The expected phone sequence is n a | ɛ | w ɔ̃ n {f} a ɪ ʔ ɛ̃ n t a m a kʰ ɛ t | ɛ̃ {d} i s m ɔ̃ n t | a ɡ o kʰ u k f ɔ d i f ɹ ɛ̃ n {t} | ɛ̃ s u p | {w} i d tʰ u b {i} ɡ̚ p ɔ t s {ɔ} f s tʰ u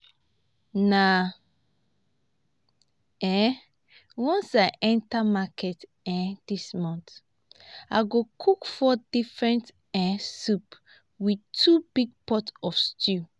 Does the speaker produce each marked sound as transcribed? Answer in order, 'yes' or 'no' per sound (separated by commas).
no, yes, yes, yes, yes, yes